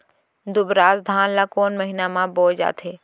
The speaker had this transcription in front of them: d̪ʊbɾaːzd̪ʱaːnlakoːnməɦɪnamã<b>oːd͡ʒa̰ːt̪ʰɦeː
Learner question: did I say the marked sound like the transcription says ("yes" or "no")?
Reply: yes